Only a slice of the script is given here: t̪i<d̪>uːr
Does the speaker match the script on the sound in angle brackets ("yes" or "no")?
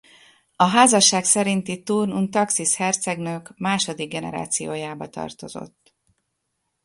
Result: no